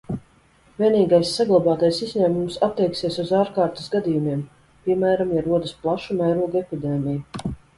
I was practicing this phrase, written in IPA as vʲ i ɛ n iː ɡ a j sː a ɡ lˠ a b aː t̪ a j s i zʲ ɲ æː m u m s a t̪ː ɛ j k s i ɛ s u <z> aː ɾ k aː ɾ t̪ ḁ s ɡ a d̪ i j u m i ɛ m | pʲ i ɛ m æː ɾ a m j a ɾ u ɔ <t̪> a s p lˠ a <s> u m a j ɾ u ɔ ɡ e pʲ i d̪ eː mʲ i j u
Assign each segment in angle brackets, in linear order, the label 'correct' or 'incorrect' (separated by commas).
correct, incorrect, incorrect